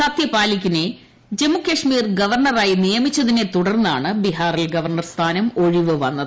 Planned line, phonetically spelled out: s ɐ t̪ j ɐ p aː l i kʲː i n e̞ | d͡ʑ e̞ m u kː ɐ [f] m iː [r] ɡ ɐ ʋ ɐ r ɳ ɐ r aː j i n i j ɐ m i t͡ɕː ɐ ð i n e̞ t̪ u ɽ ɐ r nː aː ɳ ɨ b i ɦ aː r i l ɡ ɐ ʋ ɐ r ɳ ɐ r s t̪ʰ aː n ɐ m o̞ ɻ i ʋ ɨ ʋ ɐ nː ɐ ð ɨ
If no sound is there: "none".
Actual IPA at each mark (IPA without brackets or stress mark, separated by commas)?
ʂ, r